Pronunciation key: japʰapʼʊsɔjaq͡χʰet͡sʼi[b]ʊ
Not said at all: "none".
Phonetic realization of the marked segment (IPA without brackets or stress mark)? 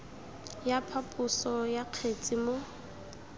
m